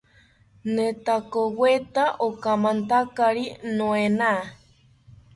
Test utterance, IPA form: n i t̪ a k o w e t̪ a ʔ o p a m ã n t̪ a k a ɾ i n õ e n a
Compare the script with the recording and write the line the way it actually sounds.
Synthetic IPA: n e t̪ a k o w e t̪ a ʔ o k a m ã n t̪ a k a ɾ i n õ e n a

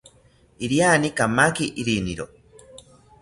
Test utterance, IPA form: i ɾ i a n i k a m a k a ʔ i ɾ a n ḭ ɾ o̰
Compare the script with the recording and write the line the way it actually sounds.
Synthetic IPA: i ɾ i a n i k a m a k i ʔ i ɾ i n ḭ ɾ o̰

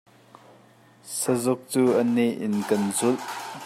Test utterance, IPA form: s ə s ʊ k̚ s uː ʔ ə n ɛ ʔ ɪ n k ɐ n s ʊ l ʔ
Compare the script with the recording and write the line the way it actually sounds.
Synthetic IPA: s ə z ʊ k̚ t͡s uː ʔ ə n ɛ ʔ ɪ n k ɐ n z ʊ l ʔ

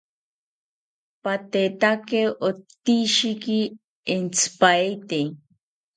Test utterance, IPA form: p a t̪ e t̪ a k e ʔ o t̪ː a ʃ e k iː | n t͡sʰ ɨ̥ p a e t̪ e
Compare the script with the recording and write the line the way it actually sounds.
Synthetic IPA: p a t̪ e t̪ a k e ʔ o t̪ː i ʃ i k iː | n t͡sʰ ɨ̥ p a e t̪ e

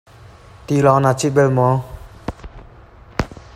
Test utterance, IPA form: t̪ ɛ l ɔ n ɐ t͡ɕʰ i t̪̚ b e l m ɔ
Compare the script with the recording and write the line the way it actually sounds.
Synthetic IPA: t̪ i l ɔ n a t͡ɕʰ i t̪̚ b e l m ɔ

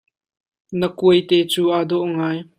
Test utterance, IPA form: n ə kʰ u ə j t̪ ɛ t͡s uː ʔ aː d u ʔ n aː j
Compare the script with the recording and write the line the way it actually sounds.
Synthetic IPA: n ə k u ə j t̪ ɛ t͡s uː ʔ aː d ɔ ʔ ŋ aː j

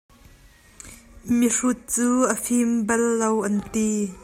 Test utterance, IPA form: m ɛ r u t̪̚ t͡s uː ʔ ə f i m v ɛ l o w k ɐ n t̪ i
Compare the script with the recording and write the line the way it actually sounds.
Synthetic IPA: m i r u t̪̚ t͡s uː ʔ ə f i m b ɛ lː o w ʔ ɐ n t̪ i

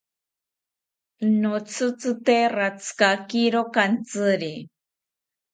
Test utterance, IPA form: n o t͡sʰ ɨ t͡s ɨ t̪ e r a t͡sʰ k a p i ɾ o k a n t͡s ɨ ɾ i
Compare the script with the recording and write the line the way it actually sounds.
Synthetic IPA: n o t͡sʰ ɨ t͡s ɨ t̪ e r a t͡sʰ k a k i ɾ o k a n t͡s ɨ ɾ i

